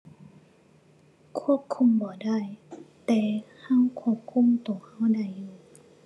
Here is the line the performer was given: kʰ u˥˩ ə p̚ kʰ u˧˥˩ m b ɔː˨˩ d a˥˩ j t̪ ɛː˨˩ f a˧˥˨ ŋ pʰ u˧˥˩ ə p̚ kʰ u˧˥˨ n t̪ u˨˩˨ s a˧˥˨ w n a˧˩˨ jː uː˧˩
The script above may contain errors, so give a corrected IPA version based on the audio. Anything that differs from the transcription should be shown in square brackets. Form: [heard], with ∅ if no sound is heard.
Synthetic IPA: kʰ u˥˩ ə p̚ kʰ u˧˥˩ m b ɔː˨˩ d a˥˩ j t̪ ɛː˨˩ [h] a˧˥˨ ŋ [kʰ] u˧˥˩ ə p̚ kʰ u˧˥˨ [m] t̪ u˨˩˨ [h] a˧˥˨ w [d] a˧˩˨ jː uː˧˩